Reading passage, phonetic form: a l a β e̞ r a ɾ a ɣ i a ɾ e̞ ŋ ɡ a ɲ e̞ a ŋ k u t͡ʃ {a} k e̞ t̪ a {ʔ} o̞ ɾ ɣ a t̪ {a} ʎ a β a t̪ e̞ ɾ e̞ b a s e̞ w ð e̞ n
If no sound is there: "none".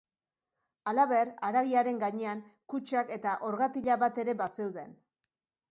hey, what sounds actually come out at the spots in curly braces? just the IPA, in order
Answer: a, ʔ, i

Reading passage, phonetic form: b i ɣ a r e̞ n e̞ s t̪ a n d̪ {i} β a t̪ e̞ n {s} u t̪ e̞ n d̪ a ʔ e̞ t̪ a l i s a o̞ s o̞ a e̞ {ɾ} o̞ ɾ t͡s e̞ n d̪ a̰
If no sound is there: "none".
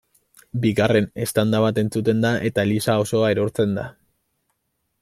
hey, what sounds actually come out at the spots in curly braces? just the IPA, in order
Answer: a, t͡s, ɾ

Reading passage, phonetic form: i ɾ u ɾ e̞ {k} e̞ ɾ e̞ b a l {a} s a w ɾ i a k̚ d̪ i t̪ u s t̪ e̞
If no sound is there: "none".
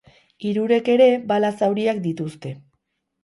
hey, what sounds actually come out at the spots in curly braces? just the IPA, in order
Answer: k, a

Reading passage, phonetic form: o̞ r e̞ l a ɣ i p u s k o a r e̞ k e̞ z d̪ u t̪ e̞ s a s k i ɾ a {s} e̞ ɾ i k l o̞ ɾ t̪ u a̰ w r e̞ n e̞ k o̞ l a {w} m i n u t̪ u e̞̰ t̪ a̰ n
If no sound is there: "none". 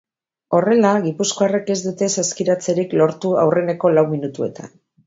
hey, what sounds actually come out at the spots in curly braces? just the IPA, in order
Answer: t͡s, w

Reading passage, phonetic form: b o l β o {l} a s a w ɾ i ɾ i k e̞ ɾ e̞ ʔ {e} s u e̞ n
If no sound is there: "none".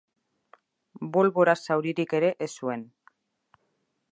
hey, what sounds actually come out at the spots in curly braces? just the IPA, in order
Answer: ɾ, e

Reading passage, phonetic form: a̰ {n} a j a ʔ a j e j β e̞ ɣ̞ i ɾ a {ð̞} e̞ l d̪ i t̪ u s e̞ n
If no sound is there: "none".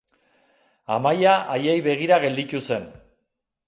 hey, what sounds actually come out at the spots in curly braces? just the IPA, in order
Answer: m, ɣ̞

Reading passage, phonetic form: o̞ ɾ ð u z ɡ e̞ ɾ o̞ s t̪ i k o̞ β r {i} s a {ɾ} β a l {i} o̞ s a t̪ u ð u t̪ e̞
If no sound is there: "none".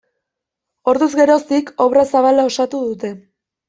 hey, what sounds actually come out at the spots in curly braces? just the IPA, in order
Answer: a, none, a

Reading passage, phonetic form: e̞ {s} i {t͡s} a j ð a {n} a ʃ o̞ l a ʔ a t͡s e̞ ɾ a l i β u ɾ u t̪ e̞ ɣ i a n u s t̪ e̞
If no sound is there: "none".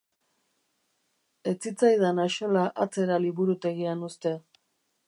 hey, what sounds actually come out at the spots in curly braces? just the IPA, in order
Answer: t͡s, t͡s, n

